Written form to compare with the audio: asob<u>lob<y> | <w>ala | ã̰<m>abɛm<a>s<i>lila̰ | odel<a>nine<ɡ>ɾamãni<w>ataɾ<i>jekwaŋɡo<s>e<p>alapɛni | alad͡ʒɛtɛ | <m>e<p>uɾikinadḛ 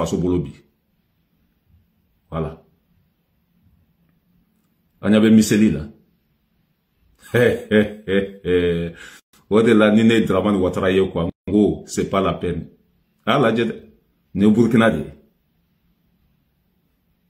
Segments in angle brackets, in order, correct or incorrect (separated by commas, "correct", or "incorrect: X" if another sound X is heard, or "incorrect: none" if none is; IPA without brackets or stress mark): incorrect: o, incorrect: i, correct, incorrect: ɲ, incorrect: i, incorrect: e, correct, incorrect: d, correct, incorrect: a, correct, correct, incorrect: n, incorrect: b